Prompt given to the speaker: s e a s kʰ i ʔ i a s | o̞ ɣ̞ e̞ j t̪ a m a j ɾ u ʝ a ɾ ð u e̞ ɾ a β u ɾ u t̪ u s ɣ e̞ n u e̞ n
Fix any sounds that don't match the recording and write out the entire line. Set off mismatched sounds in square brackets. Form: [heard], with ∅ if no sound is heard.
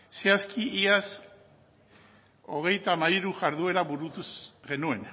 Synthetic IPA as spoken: s e a s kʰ i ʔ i a s | o̞ ɣ̞ e̞ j t̪ a m a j ɾ u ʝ a ɾ ð u e̞ ɾ a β u ɾ u t̪ u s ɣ e̞ n u e̞ n

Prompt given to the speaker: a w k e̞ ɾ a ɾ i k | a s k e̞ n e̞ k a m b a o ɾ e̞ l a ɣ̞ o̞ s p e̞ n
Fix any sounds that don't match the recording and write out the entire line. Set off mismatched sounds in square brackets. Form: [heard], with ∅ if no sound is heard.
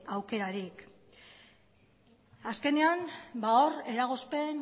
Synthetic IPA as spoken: a w k e̞ ɾ a ɾ i k | a s k e̞ n e̞ [∅] a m b a o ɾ e̞ [ɾ] a ɣ̞ o̞ s p e̞ n

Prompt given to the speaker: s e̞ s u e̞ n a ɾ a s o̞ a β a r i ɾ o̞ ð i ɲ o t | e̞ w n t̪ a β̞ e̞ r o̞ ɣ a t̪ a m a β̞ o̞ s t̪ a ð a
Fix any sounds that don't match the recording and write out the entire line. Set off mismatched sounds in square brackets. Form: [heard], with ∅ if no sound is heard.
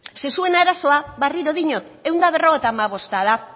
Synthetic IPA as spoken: s e̞ s u e̞ n a ɾ a s o̞ a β a r i ɾ o̞ ð i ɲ o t | e̞ w n [d̪] a β̞ e̞ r o̞ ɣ [e] t̪ a m a β̞ o̞ s t̪ a ð a

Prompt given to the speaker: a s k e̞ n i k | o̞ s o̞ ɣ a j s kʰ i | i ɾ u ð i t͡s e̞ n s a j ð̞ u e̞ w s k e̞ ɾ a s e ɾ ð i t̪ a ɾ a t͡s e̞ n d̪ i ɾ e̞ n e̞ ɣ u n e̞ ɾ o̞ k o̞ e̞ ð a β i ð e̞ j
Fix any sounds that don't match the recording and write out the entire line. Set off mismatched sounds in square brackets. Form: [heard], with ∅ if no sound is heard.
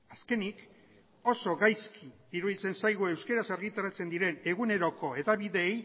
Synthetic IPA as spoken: a s k e̞ n i k | o̞ s o̞ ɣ a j s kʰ i | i ɾ u ð i t͡s e̞ n s a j [ɣ̞] u e̞ w s k e̞ ɾ a s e ɾ [ɣ] i t̪ a ɾ a t͡s e̞ n d̪ i ɾ e̞ n e̞ ɣ u n e̞ ɾ o̞ k o̞ e̞ ð a β i ð e̞ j

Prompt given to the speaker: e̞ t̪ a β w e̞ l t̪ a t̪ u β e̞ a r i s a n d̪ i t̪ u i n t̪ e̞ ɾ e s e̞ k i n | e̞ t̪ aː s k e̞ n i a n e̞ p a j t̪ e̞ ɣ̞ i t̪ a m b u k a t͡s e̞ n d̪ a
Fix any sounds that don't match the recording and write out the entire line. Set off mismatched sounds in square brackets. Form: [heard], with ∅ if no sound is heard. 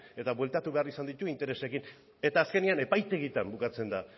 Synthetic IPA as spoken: e̞ t̪ a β w e̞ l t̪ a t̪ u β e̞ a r i s a n d̪ i t̪ u i n t̪ e̞ ɾ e s e̞ k i n | e̞ t̪ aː s k e̞ n i a n e̞ p a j t̪ e̞ ɣ̞ i t̪ a m b u k a t͡s e̞ n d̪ a

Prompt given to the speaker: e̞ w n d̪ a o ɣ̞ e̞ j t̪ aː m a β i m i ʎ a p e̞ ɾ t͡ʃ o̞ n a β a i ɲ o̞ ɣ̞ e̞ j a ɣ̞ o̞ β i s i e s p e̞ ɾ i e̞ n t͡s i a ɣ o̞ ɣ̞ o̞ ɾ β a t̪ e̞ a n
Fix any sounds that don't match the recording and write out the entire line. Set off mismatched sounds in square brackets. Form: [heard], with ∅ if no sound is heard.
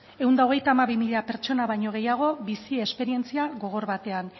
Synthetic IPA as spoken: e̞ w n d̪ a o ɣ̞ e̞ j t̪ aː m a β i m i ʎ a p e̞ ɾ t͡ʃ o̞ n a β a [j] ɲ o̞ ɣ̞ e̞ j a ɣ̞ o̞ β i s i e s p e̞ ɾ i e̞ n t͡s i a ɣ o̞ ɣ̞ o̞ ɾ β a t̪ e̞ a n

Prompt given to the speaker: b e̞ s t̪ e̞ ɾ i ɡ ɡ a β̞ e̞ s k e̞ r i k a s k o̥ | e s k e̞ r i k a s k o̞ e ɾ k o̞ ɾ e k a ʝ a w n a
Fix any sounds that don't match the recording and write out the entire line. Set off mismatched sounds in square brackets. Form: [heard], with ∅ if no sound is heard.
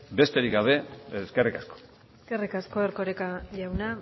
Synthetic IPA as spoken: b e̞ s t̪ e̞ ɾ i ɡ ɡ a β̞ e̞ s k e̞ r i k a s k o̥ | e s k e̞ r i k a s k o̞ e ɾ k o̞ ɾ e k a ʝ a w n a

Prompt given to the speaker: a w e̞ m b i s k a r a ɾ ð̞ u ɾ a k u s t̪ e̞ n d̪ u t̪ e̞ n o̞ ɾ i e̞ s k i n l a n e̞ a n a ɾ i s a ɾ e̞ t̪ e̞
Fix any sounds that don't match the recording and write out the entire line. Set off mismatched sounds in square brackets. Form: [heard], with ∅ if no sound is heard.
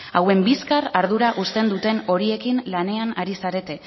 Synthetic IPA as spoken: a w e̞ m b i s k a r a ɾ ð̞ u ɾ a [ʔ] u s t̪ e̞ n d̪ u t̪ e̞ n o̞ ɾ i e̞ [∅] k i n l a n e̞ a n a ɾ i s a ɾ e̞ t̪ e̞

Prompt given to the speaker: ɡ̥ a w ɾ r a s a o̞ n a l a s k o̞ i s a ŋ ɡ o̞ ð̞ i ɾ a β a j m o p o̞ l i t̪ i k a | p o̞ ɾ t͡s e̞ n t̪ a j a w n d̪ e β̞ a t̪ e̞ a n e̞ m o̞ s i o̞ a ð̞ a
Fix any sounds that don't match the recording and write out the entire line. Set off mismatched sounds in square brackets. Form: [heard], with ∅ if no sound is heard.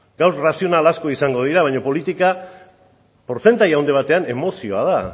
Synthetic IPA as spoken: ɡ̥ a w ɾ r a s [i] o̞ n a l a s k o̞ i s a ŋ ɡ o̞ ð̞ i ɾ a β a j [ɲ] o p o̞ l i t̪ i k a | p o̞ ɾ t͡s e̞ n t̪ a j a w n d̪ e β̞ a t̪ e̞ a n e̞ m o̞ s i o̞ a ð̞ a

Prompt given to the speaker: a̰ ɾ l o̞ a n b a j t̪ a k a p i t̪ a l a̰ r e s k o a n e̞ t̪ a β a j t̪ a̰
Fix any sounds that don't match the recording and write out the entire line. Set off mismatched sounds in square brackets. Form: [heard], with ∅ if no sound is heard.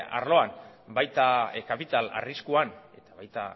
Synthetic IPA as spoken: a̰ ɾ l o̞ a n b a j t̪ a k a p i t̪ a l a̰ r [i] s k [u] a n e̞ t̪ a β a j t̪ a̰

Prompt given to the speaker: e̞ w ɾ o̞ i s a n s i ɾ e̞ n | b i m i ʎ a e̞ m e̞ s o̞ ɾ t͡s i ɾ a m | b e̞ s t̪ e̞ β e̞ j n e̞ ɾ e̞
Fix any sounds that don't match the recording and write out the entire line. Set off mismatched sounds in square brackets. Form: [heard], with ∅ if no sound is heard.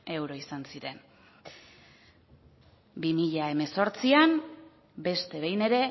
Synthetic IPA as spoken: e̞ w ɾ o̞ i s a n s i ɾ e̞ n | b i m i ʎ a e̞ m e̞ s o̞ ɾ t͡s i [∅] a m | b e̞ s t̪ e̞ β e̞ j n e̞ ɾ e̞

